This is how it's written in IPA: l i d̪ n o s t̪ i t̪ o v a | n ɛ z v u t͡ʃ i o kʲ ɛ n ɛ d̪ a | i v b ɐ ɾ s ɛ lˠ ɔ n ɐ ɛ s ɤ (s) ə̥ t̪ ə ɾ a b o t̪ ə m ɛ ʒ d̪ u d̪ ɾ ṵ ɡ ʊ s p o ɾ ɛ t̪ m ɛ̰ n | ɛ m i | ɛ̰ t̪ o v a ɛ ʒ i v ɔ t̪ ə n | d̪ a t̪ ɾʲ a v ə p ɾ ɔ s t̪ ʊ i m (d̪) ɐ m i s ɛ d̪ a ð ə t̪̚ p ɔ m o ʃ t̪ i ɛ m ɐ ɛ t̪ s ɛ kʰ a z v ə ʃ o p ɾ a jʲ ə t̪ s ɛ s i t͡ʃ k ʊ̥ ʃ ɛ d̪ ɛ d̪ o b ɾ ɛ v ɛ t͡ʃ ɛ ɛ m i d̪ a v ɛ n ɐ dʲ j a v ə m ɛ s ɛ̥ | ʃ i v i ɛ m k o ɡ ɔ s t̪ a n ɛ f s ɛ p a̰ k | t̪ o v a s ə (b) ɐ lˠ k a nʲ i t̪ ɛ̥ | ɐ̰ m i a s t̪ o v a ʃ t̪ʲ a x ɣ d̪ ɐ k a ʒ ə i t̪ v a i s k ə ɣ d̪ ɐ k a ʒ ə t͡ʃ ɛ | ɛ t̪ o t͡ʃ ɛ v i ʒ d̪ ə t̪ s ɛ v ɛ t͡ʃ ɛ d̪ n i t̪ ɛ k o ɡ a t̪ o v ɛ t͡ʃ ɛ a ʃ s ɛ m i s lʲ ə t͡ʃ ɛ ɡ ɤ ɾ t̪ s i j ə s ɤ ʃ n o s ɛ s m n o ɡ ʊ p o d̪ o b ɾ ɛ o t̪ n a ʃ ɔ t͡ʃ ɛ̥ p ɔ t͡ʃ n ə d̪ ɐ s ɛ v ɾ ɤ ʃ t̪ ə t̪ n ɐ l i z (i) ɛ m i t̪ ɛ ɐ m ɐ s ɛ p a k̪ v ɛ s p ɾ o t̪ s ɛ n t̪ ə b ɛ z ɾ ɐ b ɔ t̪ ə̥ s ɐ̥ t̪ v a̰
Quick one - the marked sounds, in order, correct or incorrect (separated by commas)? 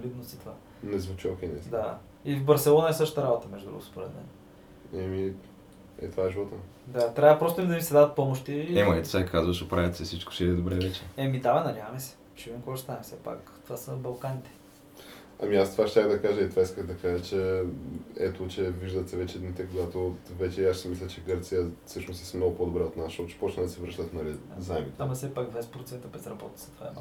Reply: incorrect, correct, correct, incorrect